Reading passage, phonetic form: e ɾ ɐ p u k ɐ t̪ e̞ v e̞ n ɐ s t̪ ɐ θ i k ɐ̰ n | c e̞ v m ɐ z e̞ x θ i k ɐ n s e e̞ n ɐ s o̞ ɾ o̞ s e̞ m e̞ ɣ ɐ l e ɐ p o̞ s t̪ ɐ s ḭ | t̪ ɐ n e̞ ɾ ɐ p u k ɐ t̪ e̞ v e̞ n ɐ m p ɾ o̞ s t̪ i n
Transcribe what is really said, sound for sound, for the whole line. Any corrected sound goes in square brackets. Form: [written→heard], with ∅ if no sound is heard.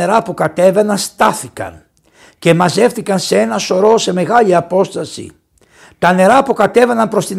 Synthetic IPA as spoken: e ɾ ɐ p u k ɐ t̪ e̞ v e̞ n ɐ s t̪ ɐ θ i k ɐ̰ n | c e̞ [v→∅] m ɐ z e̞ [x→f] θ i k ɐ n s e e̞ n ɐ s o̞ ɾ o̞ s e̞ m e̞ ɣ ɐ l [e→i] ɐ p o̞ s t̪ ɐ s ḭ | t̪ ɐ n e̞ ɾ ɐ p u k ɐ t̪ e̞ v e̞ n ɐ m p ɾ o̞ s t̪ i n